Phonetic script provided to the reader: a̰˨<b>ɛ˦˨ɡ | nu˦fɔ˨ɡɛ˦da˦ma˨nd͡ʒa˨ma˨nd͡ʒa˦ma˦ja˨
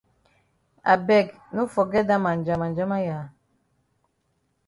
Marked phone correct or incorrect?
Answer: correct